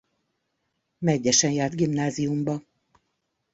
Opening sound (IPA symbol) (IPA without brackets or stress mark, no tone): m